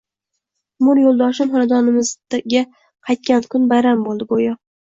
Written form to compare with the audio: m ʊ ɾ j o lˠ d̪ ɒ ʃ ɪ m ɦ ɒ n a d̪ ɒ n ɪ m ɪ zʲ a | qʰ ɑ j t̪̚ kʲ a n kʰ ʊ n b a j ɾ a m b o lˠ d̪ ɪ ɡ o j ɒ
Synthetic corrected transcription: m ʊ ɾ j o lˠ d̪ ɒ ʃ ɪ m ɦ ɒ n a d̪ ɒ n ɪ m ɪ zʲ a | qʰ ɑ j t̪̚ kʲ a n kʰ ʊ n b a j ɾ a m b o lˠ d̪ ɪ ɡ o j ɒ

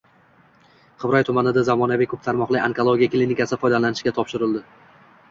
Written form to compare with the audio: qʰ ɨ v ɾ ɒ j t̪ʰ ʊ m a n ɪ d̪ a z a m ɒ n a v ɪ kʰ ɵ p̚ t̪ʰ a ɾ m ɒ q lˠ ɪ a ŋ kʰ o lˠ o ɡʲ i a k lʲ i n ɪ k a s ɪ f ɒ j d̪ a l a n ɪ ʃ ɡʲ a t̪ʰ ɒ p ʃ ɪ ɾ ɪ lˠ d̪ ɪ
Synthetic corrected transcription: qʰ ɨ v ɾ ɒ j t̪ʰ ʊ m a n ɪ d̪ a z a m ɒ n a v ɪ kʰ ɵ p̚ t̪ʰ a ɾ m ɒ q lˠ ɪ a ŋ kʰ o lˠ o ɡʲ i a k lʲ i n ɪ k a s ɪ f ɒ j d̪ a l a n ɪ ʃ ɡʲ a t̪ʰ ɒ p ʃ ɪ ɾ ɪ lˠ d̪ ɪ

